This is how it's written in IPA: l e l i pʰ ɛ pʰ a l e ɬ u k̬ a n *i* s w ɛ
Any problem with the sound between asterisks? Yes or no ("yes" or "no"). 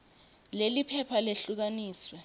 yes